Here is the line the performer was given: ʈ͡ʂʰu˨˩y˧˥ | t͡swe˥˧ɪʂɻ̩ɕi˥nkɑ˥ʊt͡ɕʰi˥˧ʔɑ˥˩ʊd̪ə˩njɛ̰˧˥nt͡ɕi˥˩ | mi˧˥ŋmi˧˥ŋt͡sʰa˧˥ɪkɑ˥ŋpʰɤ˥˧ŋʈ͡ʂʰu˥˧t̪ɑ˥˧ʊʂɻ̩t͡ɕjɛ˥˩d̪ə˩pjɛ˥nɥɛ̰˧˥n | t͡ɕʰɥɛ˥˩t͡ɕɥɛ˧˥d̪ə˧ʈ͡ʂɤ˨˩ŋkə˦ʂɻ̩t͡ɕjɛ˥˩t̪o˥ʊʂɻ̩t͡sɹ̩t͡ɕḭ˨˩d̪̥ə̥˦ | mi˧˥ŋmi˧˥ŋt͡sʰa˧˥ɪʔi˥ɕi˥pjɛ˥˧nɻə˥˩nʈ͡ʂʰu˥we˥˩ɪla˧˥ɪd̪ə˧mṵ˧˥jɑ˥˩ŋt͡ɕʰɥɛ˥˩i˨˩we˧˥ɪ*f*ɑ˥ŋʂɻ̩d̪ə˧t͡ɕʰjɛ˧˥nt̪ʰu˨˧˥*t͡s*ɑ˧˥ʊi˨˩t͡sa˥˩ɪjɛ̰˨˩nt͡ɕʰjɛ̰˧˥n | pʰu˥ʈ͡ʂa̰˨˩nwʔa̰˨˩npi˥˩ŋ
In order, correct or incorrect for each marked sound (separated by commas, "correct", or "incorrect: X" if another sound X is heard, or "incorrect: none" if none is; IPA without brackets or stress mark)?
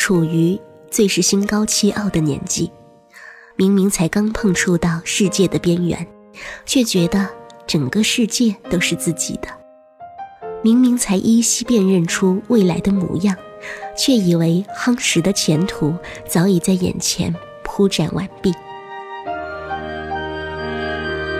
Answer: incorrect: x, correct